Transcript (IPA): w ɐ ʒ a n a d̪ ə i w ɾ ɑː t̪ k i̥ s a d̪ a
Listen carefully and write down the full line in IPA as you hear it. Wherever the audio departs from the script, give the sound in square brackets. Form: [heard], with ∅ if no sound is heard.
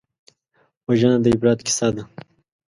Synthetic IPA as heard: w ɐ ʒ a n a d̪ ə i [b] ɾ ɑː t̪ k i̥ s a d̪ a